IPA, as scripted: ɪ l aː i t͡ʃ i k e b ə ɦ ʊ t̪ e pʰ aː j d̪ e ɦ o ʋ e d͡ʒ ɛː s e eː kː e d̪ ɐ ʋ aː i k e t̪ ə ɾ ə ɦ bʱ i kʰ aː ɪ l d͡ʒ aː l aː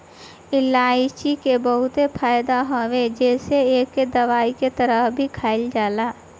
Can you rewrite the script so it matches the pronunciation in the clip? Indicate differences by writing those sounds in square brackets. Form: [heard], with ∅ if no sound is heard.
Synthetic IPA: ɪ l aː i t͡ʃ i k e b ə ɦ ʊ t̪ e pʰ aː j d̪ [a] ɦ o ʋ e d͡ʒ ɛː s e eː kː e d̪ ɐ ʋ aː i k e t̪ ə ɾ ə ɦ bʱ i kʰ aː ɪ l d͡ʒ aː l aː